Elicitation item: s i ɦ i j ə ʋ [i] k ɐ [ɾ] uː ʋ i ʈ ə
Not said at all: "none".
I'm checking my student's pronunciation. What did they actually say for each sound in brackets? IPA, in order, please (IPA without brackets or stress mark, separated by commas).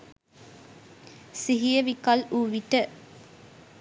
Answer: i, l